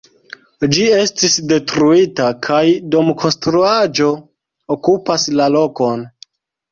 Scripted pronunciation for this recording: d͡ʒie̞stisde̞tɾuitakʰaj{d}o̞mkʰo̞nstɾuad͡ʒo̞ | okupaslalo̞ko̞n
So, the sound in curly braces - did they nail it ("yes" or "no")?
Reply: yes